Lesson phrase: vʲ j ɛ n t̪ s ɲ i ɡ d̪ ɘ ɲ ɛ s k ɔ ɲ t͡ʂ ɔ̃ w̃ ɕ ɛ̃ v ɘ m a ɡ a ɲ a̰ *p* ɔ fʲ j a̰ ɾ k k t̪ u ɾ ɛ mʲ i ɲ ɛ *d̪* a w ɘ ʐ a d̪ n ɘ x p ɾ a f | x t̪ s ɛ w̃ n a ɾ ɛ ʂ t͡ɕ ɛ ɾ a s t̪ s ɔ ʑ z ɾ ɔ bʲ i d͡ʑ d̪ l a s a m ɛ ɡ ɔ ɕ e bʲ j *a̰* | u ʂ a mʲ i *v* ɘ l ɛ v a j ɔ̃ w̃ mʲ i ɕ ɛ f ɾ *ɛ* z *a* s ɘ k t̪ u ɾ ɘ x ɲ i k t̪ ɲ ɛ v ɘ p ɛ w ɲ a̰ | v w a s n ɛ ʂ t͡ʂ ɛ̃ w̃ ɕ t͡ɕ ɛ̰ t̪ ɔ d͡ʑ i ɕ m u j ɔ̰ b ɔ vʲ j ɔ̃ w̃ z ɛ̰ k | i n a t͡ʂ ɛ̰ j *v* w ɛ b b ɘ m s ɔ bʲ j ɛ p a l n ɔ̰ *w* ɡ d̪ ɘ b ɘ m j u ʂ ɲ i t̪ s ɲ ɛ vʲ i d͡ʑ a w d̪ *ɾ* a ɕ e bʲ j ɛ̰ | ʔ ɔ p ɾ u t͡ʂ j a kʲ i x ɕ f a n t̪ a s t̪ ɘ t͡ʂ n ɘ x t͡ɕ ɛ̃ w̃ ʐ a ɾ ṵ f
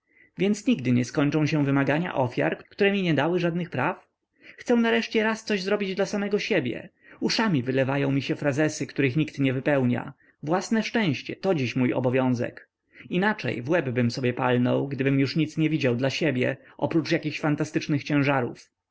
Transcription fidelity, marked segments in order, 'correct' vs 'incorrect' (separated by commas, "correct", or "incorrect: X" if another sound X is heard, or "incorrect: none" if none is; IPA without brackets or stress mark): incorrect: ʔ, correct, incorrect: ɛ̰, correct, incorrect: a, incorrect: ɛ, correct, correct, incorrect: l